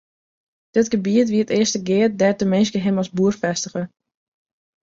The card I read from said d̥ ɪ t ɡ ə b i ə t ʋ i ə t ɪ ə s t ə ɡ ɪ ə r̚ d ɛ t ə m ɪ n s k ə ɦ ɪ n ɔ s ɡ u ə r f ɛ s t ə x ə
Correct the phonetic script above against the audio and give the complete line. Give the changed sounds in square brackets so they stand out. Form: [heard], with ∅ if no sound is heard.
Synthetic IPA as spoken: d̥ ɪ t ɡ ə b i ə t ʋ i ə t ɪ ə s t ə ɡ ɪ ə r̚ d ɛ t ə m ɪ n s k ə ɦ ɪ [m] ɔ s [b] u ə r f ɛ s t ə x ə